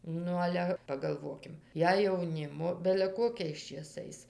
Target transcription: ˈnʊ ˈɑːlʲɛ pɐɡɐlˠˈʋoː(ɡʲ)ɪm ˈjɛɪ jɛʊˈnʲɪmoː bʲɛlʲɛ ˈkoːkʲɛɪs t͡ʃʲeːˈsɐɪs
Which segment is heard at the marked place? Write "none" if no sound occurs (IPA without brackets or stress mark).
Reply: kʲ